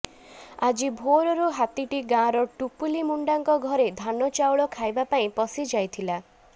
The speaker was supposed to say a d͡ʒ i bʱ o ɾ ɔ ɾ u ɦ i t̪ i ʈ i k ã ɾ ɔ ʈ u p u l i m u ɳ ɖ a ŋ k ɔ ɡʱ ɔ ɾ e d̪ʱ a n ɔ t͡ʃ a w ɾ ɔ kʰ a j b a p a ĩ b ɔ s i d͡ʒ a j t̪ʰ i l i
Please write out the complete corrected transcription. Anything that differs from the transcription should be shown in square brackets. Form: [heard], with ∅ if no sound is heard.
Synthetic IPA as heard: a d͡ʒ i bʱ o ɾ ɔ ɾ u ɦ [a] t̪ i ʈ i [ɡ] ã ɾ ɔ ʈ u p u l i m u ɳ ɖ a ŋ k ɔ ɡʱ ɔ ɾ e d̪ʱ a n ɔ t͡ʃ a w [ɭ] ɔ kʰ a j b a p a ĩ [p] ɔ s i d͡ʒ a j t̪ʰ i l [a]

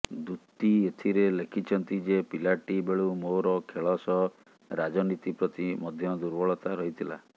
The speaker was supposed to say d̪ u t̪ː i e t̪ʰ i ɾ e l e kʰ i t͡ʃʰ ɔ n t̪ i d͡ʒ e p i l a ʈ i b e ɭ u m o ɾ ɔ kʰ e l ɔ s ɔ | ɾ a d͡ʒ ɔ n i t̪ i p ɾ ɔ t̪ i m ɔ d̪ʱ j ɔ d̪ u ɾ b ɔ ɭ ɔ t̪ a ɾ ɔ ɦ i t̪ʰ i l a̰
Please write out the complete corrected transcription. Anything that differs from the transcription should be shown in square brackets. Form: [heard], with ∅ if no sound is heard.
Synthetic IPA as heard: d̪ u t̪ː i e t̪ʰ i ɾ e l e kʰ i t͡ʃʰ ɔ n t̪ i d͡ʒ e p i l a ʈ i b e ɭ u m o ɾ ɔ kʰ e [ɭ] ɔ s ɔ | ɾ a d͡ʒ ɔ n i t̪ i p ɾ ɔ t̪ i m ɔ d̪ʱ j ɔ d̪ u ɾ b ɔ ɭ ɔ t̪ a ɾ ɔ ɦ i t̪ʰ i l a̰

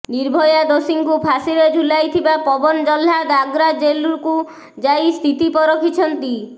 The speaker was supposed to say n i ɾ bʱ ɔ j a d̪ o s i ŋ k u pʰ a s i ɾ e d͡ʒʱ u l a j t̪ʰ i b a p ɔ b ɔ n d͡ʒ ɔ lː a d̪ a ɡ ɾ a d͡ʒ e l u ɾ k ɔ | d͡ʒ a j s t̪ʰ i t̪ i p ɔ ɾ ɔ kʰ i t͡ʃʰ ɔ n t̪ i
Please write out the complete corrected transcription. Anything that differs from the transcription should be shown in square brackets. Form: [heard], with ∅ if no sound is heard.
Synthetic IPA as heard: n i ɾ bʱ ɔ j a d̪ o s i ŋ k u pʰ a s i ɾ e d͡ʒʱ u l a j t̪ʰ i b a p ɔ b ɔ n d͡ʒ ɔ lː a d̪ a ɡ ɾ a d͡ʒ e l u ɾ k [u] | d͡ʒ a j s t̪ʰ i t̪ i p ɔ ɾ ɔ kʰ i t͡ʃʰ ɔ n t̪ i

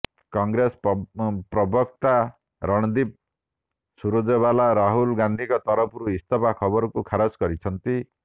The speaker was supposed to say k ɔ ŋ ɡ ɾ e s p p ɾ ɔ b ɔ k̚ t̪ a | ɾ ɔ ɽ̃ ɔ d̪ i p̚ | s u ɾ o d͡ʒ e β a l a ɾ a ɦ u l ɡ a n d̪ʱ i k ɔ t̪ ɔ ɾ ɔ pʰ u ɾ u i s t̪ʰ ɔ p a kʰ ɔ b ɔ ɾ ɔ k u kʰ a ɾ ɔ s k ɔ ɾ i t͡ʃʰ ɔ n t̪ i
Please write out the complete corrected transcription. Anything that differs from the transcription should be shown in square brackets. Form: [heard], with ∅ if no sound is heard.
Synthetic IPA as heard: k ɔ ŋ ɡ ɾ e s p p ɾ ɔ b ɔ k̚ t̪ a | ɾ ɔ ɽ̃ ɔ d̪ i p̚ | s u ɾ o d͡ʒ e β a l a ɾ a ɦ u l ɡ a n d̪ʱ i k ɔ t̪ ɔ ɾ ɔ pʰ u ɾ u i s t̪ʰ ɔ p a kʰ ɔ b ɔ ɾ ɔ k u kʰ a ɾ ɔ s k ɔ ɾ i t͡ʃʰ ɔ n t̪ i

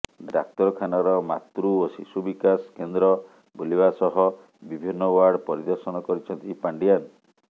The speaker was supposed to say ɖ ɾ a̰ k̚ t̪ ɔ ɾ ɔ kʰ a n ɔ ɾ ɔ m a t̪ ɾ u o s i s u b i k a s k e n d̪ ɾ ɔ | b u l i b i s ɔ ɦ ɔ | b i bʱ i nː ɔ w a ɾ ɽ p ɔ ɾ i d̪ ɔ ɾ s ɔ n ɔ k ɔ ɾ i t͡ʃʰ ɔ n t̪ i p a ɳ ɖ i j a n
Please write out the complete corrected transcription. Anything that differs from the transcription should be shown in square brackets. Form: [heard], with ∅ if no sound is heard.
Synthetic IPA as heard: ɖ ɾ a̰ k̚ t̪ ɔ ɾ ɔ kʰ a n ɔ ɾ ɔ m a t̪ ɾ u o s i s u b i k a s k e n d̪ ɾ ɔ | b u l i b [a] s ɔ ɦ ɔ | b i bʱ i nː ɔ w a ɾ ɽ p ɔ ɾ i d̪ ɔ ɾ s ɔ n ɔ k ɔ ɾ i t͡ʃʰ ɔ n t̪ i p a ɳ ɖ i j a n

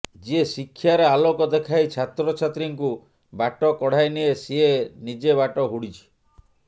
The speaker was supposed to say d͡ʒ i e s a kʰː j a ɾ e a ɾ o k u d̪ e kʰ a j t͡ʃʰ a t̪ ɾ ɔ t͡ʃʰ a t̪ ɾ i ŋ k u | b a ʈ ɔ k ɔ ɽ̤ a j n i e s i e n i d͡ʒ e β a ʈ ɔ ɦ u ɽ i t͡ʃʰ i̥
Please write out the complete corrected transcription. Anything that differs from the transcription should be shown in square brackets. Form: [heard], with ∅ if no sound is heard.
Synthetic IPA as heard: d͡ʒ i e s [i] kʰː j a ɾ e a [l] o k [ɔ] d̪ e kʰ a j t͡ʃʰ a t̪ ɾ ɔ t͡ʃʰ a t̪ ɾ i ŋ k u | b a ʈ ɔ k ɔ ɽ̤ a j n i e s i e n i d͡ʒ e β a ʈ ɔ ɦ u ɽ i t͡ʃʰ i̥

